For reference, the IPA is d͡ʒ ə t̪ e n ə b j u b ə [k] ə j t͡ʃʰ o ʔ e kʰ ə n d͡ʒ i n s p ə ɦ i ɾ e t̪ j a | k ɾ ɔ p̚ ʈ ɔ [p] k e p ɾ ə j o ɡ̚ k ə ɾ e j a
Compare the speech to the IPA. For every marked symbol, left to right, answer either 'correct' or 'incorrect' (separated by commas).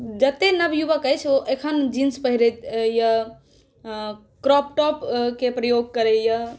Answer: correct, correct